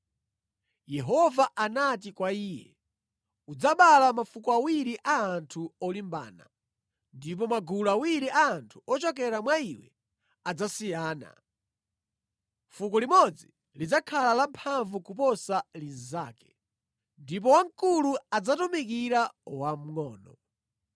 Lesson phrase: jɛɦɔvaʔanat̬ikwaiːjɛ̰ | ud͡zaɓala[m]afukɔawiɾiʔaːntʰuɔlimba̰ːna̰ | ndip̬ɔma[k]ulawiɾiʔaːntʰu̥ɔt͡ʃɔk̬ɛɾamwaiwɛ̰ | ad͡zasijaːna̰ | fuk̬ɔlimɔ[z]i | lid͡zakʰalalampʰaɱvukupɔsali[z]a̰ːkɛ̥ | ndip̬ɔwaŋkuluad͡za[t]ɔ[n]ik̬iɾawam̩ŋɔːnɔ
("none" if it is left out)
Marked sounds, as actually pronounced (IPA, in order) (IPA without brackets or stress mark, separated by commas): m, ɡ, d͡z, z, t, m